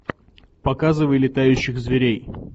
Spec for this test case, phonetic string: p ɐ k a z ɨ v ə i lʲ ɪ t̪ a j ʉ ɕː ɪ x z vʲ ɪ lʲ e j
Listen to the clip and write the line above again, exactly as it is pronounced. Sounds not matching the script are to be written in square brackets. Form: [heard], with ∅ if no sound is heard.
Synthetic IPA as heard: p ɐ k a z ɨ v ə [j] lʲ ɪ t̪ a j ʉ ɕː ɪ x z vʲ ɪ [ɾʲ] e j